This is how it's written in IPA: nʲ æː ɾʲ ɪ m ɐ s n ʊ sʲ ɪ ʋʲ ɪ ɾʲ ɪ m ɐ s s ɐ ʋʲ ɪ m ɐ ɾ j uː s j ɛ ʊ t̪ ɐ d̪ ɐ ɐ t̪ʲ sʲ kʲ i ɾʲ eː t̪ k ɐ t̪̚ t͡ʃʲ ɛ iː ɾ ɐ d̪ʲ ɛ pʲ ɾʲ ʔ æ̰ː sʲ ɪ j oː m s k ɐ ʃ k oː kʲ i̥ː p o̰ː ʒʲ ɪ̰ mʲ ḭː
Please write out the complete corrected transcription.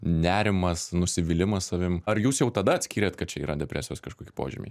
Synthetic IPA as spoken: nʲ æː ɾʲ ɪ m ɐ s n ʊ sʲ ɪ ʋʲ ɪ lʲ ɪ m ɐ s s ɐ ʋʲ ɪ m ɐ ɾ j uː s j ɛ ʊ t̪ ɐ d̪ ɐ ɐ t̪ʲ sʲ kʲ iː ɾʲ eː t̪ k ɐ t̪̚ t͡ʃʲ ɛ iː ɾ ɐ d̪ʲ ɛ pʲ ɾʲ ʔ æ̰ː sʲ ɪ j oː s k ɐ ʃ k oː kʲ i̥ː p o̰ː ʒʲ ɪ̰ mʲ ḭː

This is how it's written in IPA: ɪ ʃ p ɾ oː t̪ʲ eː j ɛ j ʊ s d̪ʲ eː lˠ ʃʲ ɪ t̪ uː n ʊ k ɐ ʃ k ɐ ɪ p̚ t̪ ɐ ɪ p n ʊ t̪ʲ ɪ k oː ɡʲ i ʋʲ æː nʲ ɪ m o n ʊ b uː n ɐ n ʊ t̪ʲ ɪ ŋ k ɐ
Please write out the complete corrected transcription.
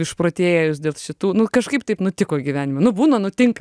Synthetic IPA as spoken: ɪ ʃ p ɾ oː t̪ʲ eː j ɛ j ʊ s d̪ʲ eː lˠ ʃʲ ɪ t̪ uː n ʊ k ɐ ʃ k ɐ ɪ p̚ t̪ ɐ ɪ p n ʊ t̪ʲ ɪ k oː ɡʲ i ʋʲ æː nʲ ɪ m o n ʊ b uː n ɐ n ʊ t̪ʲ ɪ ŋ k ɐ

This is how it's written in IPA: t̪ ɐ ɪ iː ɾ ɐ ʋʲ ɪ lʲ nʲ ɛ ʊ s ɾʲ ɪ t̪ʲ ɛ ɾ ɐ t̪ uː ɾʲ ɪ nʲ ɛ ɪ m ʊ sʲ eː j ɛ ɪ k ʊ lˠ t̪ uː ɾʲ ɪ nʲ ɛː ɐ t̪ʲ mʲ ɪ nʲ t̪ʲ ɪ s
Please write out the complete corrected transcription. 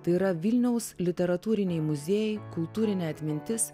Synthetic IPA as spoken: t̪ ɐ ɪ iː ɾ ɐ ʋʲ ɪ lʲ nʲ ɛ ʊ s lʲ ɪ t̪ʲ ɛ ɾ ɐ t̪ uː ɾʲ ɪ nʲ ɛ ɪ m ʊ zʲ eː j ɛ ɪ k ʊ lˠ t̪ uː ɾʲ ɪ nʲ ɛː ɐ t̪ʲ mʲ ɪ nʲ t̪ʲ ɪ s

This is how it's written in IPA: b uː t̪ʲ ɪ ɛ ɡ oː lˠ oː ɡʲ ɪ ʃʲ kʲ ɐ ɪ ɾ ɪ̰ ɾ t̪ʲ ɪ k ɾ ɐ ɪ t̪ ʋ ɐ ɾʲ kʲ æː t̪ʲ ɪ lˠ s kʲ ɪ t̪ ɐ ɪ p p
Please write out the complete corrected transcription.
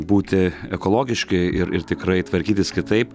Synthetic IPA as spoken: b uː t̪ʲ ɪ ɛ k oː lˠ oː ɡʲ ɪ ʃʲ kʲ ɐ ɪ ɾ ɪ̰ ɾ t̪ʲ ɪ k ɾ ɐ ɪ t̪ ʋ ɐ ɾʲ kʲ iː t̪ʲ ɪ s kʲ ɪ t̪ ɐ ɪ p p

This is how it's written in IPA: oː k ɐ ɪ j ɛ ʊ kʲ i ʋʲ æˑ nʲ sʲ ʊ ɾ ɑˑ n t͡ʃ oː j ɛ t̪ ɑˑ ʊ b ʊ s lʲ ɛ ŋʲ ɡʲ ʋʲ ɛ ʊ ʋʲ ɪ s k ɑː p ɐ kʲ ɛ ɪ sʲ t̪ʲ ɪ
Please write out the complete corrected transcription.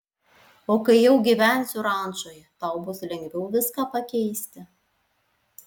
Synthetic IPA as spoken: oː k ɐ ɪ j ɛ ʊ ɡʲ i ʋʲ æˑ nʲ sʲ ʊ ɾ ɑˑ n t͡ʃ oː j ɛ t̪ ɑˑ ʊ b ʊ s lʲ ɛ ŋʲ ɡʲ ʋʲ ɛ ʊ ʋʲ ɪ s k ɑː p ɐ kʲ ɛ ɪ sʲ t̪ʲ ɪ

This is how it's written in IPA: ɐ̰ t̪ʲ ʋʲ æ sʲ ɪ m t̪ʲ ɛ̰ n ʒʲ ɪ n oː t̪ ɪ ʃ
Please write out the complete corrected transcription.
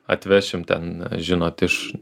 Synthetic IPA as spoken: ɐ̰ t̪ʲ ʋʲ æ ʃʲ ɪ m t̪ʲ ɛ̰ n ʒʲ ɪ n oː t̪ ɪ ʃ

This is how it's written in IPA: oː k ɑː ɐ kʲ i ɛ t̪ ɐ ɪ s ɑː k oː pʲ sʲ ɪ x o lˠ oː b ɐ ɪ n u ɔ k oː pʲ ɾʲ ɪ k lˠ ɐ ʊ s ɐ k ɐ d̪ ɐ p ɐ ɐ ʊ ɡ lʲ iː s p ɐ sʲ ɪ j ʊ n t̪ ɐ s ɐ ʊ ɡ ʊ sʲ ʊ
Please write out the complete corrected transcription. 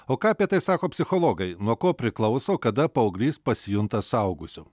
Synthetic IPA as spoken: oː k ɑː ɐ pʲ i ɛ t̪ ɐ ɪ s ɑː k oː pʲ sʲ ɪ x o lˠ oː ɡ ɐ ɪ n u ɔ k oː pʲ ɾʲ ɪ k lˠ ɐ ʊ s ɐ k ɐ d̪ ɐ p ɐ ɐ ʊ ɡ lʲ iː s p ɐ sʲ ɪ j ʊ n t̪ ɐ s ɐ ʊ ɡ ʊ sʲ ʊ

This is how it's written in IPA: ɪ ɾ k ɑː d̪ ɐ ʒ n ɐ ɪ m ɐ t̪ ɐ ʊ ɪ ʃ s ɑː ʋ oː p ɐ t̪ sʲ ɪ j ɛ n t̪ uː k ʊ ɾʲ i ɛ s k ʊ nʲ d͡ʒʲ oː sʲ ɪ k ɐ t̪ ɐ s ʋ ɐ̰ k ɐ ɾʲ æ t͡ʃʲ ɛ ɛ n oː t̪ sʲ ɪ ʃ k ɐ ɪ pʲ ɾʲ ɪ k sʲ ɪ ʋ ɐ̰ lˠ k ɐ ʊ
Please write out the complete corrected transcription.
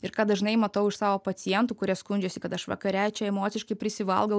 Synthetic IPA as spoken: ɪ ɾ k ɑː d̪ ɐ ʒ n ɐ ɪ m ɐ t̪ ɐ ʊ ɪ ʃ s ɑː ʋ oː p ɐ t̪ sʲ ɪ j ɛ n t̪ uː k ʊ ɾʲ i ɛ s k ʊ nʲ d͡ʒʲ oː sʲ ɪ k ɐ t̪ ɐ ʃ ʋ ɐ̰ k ɐ ɾʲ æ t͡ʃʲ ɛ ɛ m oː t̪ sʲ ɪ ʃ k ɐ ɪ pʲ ɾʲ ɪ sʲ ɪ ʋ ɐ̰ lˠ ɡ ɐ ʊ

